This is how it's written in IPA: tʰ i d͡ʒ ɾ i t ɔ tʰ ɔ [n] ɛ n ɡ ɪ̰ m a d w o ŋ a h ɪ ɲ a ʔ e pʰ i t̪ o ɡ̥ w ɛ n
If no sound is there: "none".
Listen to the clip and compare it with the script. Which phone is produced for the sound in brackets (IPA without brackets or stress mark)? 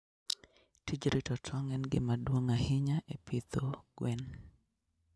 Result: ŋ